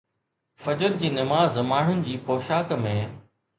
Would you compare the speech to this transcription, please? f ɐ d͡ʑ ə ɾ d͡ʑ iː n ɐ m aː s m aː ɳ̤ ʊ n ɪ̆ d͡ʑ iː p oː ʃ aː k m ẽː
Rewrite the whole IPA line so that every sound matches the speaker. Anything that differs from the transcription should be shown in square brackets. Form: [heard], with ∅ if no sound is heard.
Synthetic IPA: f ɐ d͡ʑ ə ɾ d͡ʑ iː n ɐ m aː [z] m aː ɳ̤ ʊ n ɪ̆ d͡ʑ iː p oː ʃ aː k m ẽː